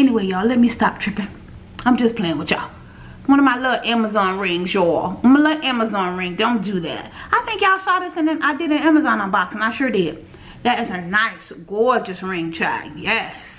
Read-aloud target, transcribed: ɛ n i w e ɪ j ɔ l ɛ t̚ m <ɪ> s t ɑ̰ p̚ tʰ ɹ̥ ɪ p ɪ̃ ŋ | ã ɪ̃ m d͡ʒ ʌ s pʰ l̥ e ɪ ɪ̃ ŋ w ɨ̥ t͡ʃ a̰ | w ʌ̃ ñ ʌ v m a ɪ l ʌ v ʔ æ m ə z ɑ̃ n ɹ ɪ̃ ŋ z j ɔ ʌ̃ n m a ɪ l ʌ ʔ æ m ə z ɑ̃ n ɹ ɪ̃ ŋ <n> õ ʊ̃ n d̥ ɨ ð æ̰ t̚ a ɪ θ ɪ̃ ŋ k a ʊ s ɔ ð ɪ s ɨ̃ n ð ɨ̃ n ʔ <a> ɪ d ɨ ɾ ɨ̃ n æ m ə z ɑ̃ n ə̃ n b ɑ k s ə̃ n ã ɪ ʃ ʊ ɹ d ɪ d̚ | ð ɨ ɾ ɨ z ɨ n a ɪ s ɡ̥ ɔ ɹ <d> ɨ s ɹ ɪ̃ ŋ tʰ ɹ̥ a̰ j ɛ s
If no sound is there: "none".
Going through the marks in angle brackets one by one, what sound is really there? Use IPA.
i, d, a, d͡ʒ

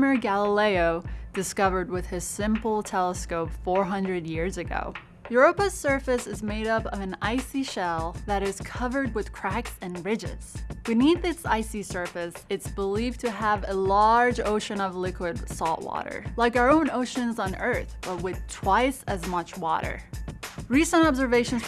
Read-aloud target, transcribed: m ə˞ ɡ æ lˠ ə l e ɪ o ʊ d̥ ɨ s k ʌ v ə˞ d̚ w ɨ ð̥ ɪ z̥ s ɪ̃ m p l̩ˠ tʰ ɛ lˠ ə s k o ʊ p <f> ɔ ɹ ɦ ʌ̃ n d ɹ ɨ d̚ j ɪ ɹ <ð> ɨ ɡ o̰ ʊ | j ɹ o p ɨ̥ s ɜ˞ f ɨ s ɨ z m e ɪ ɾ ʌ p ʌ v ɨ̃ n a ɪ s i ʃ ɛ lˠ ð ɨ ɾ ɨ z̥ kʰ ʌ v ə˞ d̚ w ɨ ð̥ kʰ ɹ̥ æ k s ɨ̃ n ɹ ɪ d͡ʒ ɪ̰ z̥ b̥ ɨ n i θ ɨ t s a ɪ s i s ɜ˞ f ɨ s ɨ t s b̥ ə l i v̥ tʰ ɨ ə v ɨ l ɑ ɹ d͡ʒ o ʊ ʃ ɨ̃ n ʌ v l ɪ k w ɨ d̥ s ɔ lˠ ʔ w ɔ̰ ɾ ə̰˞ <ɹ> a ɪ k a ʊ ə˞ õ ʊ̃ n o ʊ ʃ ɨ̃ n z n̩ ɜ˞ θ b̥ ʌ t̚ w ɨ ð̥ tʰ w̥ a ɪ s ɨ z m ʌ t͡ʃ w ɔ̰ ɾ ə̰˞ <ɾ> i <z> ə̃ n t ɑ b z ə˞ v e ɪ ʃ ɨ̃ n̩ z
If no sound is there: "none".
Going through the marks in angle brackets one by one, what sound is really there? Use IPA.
f, z, l, ɹ, s

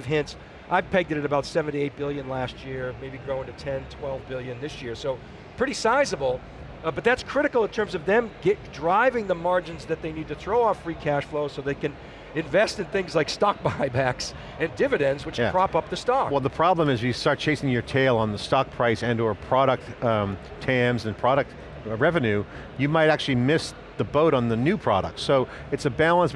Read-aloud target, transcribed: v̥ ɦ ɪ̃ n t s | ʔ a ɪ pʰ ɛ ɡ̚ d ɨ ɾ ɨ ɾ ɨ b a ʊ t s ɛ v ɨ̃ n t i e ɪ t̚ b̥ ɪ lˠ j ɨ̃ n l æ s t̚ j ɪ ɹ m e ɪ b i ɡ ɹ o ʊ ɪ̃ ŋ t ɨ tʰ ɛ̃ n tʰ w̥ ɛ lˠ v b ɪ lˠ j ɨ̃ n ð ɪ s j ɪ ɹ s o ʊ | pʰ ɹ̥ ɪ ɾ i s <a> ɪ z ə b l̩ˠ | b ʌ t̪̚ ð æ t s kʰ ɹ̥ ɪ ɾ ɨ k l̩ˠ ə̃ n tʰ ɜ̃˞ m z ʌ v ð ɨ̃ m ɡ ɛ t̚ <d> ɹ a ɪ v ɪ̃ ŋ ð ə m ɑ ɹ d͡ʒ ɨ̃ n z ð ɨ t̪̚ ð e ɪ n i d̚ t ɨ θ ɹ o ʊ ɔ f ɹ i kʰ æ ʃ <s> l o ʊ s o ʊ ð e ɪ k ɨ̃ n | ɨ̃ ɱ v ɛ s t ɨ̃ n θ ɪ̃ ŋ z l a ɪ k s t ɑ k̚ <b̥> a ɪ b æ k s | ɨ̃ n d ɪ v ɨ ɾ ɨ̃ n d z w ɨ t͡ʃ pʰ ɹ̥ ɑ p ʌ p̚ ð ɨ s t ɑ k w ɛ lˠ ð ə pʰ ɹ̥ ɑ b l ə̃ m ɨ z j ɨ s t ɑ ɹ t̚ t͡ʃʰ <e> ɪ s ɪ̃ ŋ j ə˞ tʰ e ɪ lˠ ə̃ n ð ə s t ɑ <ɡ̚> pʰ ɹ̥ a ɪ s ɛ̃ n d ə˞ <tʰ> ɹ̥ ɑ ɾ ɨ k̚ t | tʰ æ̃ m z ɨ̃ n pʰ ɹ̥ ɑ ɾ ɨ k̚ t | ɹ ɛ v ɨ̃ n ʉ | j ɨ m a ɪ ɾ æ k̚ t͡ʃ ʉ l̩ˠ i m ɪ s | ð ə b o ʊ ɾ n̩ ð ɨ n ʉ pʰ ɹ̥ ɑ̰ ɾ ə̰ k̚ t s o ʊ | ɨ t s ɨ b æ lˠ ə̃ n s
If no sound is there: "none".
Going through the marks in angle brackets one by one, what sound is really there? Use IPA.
a, d, f, b̥, e, k̚, pʰ

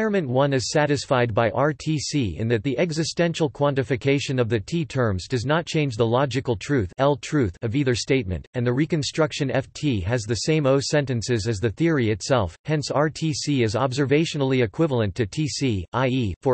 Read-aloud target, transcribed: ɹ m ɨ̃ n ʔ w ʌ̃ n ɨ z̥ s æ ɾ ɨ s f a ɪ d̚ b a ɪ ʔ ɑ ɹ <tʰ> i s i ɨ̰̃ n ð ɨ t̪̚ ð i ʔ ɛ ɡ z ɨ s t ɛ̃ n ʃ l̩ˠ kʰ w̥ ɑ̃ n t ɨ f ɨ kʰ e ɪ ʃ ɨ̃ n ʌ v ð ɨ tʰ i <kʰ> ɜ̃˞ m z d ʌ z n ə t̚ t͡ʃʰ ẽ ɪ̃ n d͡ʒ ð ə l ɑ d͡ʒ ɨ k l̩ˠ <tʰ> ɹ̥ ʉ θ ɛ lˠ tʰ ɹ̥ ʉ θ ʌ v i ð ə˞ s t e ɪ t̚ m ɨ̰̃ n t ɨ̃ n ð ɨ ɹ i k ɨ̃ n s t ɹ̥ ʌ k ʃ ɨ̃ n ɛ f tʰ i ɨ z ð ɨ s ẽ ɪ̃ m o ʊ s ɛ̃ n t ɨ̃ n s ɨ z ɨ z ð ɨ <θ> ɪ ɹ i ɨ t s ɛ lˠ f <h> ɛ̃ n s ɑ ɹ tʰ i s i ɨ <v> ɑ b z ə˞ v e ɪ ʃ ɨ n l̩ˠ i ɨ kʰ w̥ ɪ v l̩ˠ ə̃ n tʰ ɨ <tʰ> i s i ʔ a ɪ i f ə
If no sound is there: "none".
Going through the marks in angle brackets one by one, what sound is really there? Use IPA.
tʰ, tʰ, tʰ, θ, h, z, tʰ

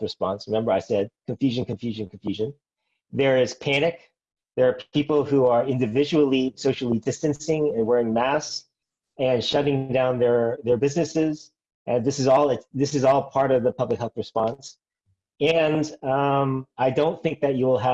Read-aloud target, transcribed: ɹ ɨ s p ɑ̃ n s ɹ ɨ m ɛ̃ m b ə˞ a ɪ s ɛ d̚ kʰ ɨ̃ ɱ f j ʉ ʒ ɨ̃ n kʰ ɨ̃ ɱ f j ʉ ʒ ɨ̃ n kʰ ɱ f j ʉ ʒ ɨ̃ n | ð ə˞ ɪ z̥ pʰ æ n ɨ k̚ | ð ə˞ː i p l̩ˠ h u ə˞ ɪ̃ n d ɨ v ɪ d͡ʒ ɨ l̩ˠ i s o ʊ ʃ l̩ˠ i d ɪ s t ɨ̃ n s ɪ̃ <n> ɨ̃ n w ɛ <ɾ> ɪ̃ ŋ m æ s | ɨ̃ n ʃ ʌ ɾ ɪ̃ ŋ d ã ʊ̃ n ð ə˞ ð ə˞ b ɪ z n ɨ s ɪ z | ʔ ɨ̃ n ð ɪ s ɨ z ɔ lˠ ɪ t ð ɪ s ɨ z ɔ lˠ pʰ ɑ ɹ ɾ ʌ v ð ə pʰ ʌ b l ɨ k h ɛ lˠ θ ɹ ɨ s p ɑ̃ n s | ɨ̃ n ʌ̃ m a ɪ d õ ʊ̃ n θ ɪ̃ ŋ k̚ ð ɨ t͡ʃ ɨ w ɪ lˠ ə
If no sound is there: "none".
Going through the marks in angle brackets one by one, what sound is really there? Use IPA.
ŋ, ɹ

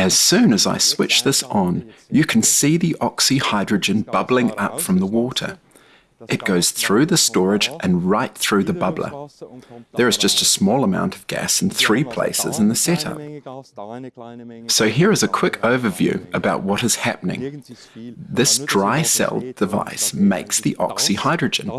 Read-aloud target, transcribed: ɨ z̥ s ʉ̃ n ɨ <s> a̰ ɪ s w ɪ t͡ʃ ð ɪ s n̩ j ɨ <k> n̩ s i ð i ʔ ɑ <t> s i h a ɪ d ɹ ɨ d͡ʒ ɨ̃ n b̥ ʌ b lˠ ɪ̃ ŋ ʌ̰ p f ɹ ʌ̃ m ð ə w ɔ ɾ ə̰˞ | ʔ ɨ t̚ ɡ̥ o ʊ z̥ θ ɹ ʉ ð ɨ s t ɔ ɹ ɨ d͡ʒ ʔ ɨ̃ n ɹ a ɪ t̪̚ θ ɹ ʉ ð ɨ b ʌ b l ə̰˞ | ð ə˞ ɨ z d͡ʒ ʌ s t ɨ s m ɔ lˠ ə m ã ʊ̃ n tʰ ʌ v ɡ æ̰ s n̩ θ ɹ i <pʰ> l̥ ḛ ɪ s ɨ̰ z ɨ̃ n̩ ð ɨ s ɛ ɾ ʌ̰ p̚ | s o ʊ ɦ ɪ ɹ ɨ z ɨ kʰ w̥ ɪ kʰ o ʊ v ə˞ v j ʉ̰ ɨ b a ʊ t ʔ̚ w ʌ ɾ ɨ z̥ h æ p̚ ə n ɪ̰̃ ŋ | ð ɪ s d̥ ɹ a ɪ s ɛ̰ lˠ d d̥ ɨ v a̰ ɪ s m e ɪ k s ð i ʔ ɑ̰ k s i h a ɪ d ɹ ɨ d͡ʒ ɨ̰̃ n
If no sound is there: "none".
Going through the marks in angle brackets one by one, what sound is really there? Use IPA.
z, kʰ, k, pʰ

